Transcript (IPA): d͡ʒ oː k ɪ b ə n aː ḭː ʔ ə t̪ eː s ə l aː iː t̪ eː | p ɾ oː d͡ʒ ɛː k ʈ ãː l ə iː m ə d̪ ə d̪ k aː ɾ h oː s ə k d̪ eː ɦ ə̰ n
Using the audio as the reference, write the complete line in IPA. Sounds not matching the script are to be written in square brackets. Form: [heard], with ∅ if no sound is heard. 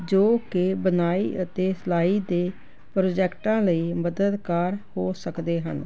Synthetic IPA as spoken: d͡ʒ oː k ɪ b ə n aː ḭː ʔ ə t̪ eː s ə l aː iː [d̪] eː | p ɾ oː d͡ʒ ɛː k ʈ ãː l ə iː m ə d̪ ə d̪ k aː ɾ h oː s ə k d̪ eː ɦ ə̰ n

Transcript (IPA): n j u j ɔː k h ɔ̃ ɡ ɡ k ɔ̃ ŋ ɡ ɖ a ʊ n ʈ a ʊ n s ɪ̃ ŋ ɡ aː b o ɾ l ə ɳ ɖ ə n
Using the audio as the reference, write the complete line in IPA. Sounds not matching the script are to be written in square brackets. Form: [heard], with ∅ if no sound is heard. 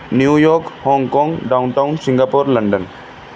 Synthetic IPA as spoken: n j u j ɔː k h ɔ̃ [ŋ] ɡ k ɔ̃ ŋ ɡ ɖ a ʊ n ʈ a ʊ n s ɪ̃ ŋ ɡ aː [p] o ɾ l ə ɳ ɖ ə n

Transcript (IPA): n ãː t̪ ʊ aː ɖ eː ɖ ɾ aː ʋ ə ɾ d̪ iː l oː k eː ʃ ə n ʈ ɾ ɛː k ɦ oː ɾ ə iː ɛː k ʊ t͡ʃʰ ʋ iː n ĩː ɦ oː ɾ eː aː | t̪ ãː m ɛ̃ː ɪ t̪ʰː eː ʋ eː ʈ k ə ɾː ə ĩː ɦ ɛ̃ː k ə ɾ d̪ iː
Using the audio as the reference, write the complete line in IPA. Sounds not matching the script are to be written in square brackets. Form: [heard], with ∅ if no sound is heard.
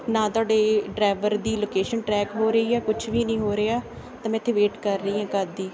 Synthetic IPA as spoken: n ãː t̪ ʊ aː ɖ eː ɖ ɾ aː ʋ ə ɾ d̪ iː l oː k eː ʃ ə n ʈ ɾ ɛː k ɦ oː ɾ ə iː ɛː k ʊ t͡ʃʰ ʋ iː n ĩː ɦ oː ɾ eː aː | t̪ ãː m ɛ̃ː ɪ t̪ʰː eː ʋ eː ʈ k ə ɾː ə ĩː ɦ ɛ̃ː k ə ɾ d̪ iː

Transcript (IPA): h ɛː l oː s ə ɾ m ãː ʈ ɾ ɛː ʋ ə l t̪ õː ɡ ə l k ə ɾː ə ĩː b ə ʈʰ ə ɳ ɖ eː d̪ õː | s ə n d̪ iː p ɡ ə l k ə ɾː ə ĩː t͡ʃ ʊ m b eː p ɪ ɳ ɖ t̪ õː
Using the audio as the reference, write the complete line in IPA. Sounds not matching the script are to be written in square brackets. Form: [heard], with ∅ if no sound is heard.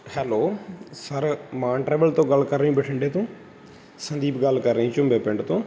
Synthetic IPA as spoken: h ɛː l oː s ə ɾ m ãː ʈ ɾ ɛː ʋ ə l t̪ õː ɡ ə l k ə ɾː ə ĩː b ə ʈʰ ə ɳ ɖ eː [t̪] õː | s ə n d̪ iː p ɡ ə l k ə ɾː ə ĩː t͡ʃ ʊ m b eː p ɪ ɳ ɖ t̪ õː

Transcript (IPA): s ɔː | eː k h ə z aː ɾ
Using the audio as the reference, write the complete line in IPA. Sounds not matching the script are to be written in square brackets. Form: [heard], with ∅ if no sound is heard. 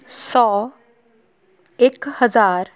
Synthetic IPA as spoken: s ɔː | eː k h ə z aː ɾ

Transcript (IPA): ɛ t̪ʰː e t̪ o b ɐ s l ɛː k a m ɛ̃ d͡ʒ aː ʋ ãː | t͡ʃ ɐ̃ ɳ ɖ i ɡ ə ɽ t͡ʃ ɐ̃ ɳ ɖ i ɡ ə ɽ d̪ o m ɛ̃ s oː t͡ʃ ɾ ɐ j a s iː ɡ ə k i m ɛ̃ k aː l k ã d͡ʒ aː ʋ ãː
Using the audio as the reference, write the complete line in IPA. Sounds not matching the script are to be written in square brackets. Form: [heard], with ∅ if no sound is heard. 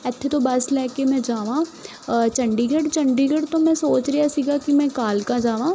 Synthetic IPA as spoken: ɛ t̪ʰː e t̪ o b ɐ s l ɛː k [e] m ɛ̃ d͡ʒ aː ʋ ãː | t͡ʃ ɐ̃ ɳ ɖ i ɡ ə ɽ t͡ʃ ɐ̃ ɳ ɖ i ɡ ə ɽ [t̪] o m ɛ̃ s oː t͡ʃ ɾ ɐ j a s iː ɡ [a] k i m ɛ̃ k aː l k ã d͡ʒ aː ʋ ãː

